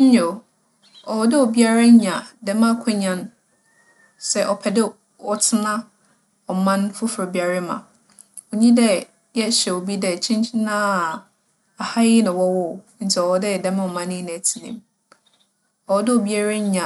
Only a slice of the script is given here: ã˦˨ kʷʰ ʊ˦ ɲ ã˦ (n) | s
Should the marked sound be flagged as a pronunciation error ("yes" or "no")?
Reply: no